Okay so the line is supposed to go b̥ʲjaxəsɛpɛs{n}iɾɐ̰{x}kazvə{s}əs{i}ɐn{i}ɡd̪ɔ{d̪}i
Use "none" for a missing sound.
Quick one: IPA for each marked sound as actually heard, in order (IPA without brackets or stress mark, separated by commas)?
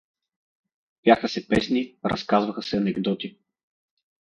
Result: n, s, x, ɛ, ɛ, t̪